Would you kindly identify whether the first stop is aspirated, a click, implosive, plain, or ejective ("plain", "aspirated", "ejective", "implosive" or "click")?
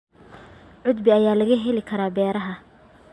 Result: plain